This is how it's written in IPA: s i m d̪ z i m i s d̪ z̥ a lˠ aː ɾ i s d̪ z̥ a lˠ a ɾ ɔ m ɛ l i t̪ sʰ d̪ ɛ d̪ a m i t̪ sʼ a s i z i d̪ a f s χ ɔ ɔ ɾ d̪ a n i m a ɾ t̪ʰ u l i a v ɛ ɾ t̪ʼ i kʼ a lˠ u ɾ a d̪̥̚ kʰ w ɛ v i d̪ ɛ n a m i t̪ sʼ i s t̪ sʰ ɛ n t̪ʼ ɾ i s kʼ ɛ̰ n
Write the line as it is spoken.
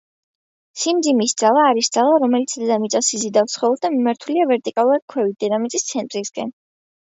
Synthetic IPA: s i m d̪ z i m i s d̪ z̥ a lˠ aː ɾ i s d̪ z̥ a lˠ a ɾ ɔ m ɛ l i t̪ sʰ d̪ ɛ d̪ a m i t̪ sʼ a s i z i d̪ a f s χ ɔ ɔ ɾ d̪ a m i m a ɾ t̪ʰ u l i a v ɛ ɾ t̪ʼ i kʼ a lˠ u ɾ a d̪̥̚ kʰ w ɛ v i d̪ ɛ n a m i t̪ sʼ i s t̪ sʰ ɛ n t̪ʼ ɾ i s kʼ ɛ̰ n